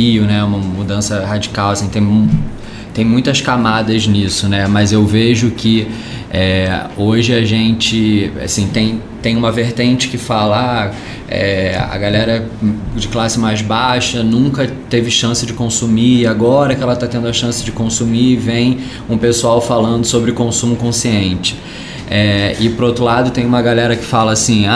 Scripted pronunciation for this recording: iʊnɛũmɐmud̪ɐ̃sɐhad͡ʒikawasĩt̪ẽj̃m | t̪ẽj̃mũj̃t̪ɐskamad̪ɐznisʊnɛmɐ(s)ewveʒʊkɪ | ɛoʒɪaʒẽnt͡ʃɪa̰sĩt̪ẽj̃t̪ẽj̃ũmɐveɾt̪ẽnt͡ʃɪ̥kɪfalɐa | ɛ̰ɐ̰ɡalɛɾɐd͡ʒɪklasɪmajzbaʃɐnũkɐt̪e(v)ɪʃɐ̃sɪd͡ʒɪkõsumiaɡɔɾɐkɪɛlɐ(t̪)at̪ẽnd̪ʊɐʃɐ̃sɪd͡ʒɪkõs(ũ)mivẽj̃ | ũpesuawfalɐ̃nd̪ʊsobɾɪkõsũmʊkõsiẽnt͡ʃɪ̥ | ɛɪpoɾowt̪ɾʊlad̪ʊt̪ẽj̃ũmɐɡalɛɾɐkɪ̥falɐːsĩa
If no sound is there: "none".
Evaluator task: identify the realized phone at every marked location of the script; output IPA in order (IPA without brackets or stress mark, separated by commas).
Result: z, v, t̪, u